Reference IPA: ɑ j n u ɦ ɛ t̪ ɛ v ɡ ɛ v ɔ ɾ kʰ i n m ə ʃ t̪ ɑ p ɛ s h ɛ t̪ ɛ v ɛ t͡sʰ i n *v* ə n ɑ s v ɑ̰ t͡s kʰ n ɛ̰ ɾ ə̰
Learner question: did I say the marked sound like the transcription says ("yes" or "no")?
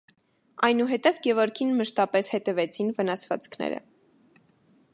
yes